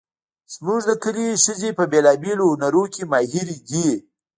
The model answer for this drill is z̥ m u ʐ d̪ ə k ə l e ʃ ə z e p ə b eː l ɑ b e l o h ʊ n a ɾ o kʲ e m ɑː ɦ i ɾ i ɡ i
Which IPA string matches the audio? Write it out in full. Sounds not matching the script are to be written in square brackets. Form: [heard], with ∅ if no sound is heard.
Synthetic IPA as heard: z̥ m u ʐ d̪ ə k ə l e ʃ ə z e p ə b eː l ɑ b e l o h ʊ n a ɾ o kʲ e m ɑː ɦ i ɾ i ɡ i